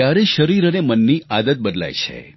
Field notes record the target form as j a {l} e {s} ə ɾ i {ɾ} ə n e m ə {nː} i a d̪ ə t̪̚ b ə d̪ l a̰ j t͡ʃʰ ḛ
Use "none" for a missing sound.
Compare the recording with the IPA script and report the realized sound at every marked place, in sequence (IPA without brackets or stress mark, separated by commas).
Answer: ɾ, ʃ, ɾ, nː